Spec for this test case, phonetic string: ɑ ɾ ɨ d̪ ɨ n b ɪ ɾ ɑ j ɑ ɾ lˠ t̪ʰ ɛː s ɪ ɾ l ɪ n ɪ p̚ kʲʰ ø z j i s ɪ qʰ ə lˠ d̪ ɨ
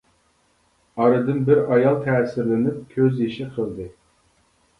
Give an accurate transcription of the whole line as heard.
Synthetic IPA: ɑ ɾ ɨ d̪ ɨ n b ɪ ɾ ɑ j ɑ lˠ t̪ʰ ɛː s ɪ ɾ l ɪ n ɪ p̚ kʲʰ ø z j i ʃ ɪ qʰ ə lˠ d̪ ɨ